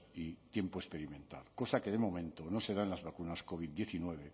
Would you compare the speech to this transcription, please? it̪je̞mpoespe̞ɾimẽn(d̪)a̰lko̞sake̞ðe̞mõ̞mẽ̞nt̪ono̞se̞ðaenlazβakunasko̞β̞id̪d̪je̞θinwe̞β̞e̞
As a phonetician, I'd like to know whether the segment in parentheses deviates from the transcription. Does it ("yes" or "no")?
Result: yes